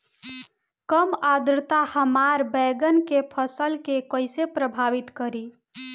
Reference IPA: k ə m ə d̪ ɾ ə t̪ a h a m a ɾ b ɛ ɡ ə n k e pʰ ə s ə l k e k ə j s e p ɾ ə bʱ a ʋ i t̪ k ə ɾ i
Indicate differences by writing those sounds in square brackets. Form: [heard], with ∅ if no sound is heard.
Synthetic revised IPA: k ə m [a] d̪ ɾ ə t̪ a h [ə] m a ɾ b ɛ ɡ ə n k e pʰ ə s ə l k e k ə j s e p ɾ ə bʱ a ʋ i t̪ k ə ɾ i